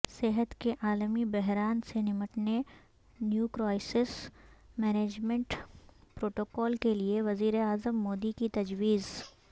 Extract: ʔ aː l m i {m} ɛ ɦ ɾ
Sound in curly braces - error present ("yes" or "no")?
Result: yes